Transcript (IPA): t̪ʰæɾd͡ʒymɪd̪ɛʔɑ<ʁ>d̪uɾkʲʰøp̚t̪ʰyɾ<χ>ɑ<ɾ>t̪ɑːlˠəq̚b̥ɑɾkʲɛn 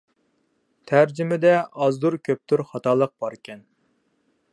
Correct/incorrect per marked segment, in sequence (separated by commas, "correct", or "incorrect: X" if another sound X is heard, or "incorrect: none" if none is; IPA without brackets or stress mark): incorrect: z, correct, incorrect: none